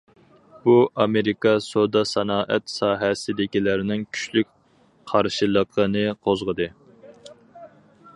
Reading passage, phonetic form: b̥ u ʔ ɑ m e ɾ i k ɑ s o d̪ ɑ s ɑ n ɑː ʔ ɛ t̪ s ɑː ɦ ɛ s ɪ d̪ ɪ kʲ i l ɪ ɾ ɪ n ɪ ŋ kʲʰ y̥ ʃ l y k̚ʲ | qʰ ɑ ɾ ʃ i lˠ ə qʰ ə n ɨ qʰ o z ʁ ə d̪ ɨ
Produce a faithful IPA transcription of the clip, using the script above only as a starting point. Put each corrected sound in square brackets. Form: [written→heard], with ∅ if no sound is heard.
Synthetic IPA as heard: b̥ u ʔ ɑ m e ɾ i k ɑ s o d̪ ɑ s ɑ n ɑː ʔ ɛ t̪ s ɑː ɦ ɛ s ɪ d̪ ɪ kʲ i l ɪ ɾ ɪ n ɪ ŋ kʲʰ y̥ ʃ l y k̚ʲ | qʰ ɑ ɾ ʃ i lˠ ə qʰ ə n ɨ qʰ o z ʁ ə d̪ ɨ